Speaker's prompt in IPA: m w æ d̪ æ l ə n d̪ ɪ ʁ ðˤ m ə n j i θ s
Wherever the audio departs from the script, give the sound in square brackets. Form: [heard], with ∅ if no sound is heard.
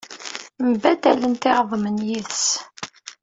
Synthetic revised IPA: m [b] æ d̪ æ l ə n [t̪] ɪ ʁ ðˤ m ə n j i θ s